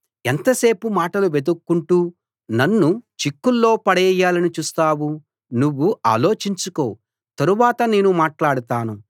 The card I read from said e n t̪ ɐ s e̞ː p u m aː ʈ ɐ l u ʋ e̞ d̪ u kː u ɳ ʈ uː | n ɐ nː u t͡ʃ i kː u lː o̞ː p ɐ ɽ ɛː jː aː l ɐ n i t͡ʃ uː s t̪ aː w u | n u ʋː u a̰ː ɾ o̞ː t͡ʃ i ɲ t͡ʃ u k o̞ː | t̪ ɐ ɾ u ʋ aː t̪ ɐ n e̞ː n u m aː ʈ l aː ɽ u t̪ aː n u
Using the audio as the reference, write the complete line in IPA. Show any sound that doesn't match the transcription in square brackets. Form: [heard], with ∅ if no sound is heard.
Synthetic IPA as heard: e n t̪ ɐ s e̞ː p u m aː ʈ ɐ l u ʋ e̞ d̪ u kː u ɳ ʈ uː | n ɐ nː u t͡ʃ i kː u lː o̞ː p ɐ ɽ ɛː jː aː l ɐ n i t͡ʃ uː s t̪ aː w u | n u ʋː u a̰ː [l] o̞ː t͡ʃ i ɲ t͡ʃ u k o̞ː | t̪ ɐ ɾ u ʋ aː t̪ ɐ n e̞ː n u m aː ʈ l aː ɽ u t̪ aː n u